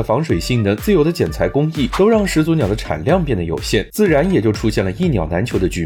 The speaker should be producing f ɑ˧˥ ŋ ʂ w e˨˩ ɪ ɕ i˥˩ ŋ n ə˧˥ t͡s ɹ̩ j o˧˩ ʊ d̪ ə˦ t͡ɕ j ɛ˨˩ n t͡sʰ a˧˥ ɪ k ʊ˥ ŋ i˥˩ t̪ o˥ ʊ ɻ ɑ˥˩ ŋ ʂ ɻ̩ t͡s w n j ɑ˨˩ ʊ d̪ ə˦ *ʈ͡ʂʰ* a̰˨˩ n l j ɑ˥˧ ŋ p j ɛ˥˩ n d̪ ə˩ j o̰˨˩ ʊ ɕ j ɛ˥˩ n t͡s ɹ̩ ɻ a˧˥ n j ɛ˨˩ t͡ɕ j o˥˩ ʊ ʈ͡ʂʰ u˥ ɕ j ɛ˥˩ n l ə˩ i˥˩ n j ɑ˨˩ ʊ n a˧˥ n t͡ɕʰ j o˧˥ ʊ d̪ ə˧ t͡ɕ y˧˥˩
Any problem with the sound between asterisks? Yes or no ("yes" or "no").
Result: no